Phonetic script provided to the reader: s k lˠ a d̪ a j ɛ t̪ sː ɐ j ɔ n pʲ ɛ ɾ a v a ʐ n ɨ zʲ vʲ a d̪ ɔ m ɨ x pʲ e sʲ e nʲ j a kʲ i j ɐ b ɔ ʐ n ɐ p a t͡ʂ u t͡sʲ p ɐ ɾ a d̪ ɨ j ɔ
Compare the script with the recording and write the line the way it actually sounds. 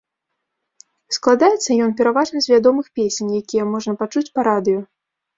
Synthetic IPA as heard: s k lˠ a d̪ a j ɛ t̪ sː ɐ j ɔ n pʲ ɛ ɾ a v a ʐ n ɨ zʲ vʲ a d̪ ɔ m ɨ x pʲ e sʲ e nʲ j a kʲ i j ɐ m ɔ ʐ n ɐ p a t͡ʂ u t͡sʲ p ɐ ɾ a d̪ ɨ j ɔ

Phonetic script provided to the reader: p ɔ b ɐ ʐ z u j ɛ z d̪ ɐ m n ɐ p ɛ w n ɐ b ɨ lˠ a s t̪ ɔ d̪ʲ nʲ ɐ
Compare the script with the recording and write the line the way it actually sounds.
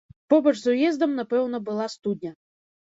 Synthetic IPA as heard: p ɔ b ɐ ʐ z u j ɛ z d̪ ɐ m n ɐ p ɛ w n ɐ b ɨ lˠ a s t̪ u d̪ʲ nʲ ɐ

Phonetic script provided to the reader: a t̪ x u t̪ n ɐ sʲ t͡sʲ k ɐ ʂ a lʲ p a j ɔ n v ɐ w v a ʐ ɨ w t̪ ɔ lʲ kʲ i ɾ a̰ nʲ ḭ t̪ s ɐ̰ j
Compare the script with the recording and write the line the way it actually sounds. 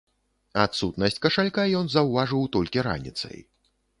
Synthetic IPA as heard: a t̪ s u t̪ n ɐ sʲ t͡sʲ k ɐ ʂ a lʲ k a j ɔ n z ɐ w v a ʐ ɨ w t̪ ɔ lʲ kʲ i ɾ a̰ nʲ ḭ t̪ s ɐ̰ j

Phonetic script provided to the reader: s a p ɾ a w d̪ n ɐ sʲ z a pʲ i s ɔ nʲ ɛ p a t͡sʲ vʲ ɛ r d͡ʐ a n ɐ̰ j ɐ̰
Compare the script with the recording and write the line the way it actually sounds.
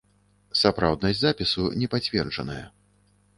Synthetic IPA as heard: s a p ɾ a w d̪ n ɐ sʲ z a pʲ i s u nʲ ɛ p a t͡sʲ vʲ ɛ r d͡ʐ ɐ n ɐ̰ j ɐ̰

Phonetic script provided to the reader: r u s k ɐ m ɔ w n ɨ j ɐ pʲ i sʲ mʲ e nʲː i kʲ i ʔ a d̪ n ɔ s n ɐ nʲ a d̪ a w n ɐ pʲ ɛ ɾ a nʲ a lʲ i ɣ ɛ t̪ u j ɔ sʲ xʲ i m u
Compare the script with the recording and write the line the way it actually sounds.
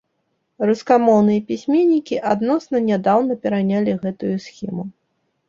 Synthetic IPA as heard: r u s k a m ɔ w n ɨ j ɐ pʲ i sʲ mʲ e nʲː i kʲ i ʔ a d̪ n ɔ s n ɐ nʲ a d̪ a w n ɐ pʲ ɛ ɾ a nʲ a lʲ i ɣ ɛ t̪ u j u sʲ xʲ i m u

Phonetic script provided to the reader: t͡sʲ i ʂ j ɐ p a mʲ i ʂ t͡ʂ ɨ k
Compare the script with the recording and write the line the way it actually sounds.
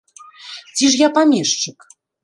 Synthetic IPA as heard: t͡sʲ i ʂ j a p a mʲ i ʂ t͡ʂ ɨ k

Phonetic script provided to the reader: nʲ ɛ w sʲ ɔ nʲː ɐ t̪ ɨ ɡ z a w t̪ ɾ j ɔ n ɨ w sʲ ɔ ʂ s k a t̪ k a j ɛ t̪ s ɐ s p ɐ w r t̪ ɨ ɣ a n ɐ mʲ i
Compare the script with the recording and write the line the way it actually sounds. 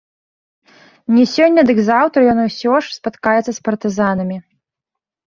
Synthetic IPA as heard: nʲ ɛ sʲ ɔ nʲː ɐ d̪ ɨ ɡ z a w t̪ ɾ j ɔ n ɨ w sʲ ɔ ʂ s p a t̪ k a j ɛ t̪ s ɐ s p ɐ r t̪ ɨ z a n ɐ mʲ i

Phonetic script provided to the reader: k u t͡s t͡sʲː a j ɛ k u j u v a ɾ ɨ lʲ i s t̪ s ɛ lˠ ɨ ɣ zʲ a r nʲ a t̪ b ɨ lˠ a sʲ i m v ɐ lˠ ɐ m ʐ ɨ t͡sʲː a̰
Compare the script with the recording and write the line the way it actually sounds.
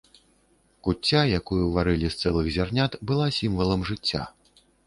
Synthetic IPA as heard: k u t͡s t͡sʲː a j a k u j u v a ɾ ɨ lʲ i s t̪ s ɛ lˠ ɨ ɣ zʲ a r nʲ a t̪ b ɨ lˠ a sʲ i m v ɐ lˠ ɐ m ʐ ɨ t͡sʲː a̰

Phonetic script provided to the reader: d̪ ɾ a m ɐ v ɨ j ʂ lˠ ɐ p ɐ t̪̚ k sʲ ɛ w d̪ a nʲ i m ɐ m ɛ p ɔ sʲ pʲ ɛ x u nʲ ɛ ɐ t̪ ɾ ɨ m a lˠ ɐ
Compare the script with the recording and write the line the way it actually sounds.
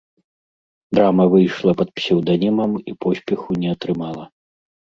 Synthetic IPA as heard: d̪ ɾ a m ɐ v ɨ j ʂ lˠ ɐ p ɐ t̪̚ p sʲ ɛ w d̪ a nʲ i m ɐ m i p ɔ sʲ pʲ ɛ x u nʲ ɛ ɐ t̪ ɾ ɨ m a lˠ ɐ

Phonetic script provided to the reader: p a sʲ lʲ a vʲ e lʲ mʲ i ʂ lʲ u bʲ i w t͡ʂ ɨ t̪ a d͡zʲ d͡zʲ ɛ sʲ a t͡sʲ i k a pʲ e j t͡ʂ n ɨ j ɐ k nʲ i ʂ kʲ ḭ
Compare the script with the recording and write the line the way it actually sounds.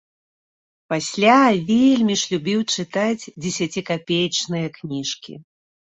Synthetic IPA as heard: p a sʲ lʲ a vʲ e lʲ mʲ i ʂ lʲ u bʲ i w t͡ʂ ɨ t̪ a d͡zʲ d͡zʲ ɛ sʲ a t͡sʲ i k a pʲ e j t͡ʂ n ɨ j ɐ k nʲ i ʂ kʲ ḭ

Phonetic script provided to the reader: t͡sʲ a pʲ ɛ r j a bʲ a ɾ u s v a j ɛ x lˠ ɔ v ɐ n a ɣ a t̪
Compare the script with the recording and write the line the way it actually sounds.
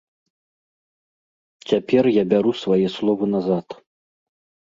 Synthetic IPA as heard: t͡sʲ a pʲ ɛ r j a bʲ a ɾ u s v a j ɛ s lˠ ɔ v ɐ n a z a t̪

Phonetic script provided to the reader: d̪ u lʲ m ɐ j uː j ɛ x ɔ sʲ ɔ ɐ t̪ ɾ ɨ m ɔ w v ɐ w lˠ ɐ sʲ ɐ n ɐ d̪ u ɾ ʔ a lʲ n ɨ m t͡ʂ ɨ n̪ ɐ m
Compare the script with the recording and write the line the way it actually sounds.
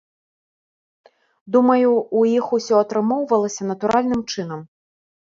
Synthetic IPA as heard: d̪ u m ɐ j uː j i x u sʲ ɔ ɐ t̪ ɾ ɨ m ɔ w v ɐ lˠ ɐ sʲ ɐ n ɐ t̪ u ɾ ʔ a lʲ n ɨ m t͡ʂ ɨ n̪ ɐ m

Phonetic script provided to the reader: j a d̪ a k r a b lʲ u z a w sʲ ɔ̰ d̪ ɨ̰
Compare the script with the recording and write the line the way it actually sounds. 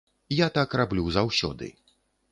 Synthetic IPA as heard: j a t̪ a k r a b lʲ u z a w sʲ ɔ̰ d̪ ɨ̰

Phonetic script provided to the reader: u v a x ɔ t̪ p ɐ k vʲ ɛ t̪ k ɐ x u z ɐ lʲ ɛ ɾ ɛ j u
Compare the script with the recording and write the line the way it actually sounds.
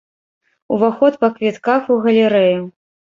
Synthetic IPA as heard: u v a x ɔ t̪ p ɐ k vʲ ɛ t̪ k a x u ɣ ɐ lʲ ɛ ɾ ɛ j u

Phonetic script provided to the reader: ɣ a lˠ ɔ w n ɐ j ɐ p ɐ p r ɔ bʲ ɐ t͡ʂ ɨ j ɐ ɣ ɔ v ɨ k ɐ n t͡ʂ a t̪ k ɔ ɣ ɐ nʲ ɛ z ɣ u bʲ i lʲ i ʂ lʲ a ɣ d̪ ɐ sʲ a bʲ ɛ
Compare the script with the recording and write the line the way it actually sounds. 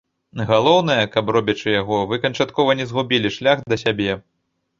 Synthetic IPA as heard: ɣ a lˠ ɔ w n ɐ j ɐ k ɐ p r ɔ bʲ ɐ t͡ʂ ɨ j a ɣ ɔ v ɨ k ɐ n t͡ʂ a t̪ k ɔ v ɐ nʲ ɛ z ɣ u bʲ i lʲ i ʂ lʲ a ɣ d̪ ɐ sʲ a bʲ ɛ

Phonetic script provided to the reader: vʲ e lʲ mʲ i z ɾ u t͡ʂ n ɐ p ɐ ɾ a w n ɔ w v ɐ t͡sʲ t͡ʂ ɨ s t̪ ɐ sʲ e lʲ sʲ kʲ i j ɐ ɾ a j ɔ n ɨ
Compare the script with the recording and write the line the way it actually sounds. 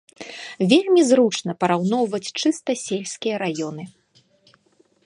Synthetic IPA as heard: vʲ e lʲ mʲ i z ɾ u t͡ʂ n ɐ p ɐ ɾ a w n ɔ w v ɐ t͡sʲ t͡ʂ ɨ s t̪ ɐ sʲ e lʲ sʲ kʲ i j ɐ ɾ a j ɔ n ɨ

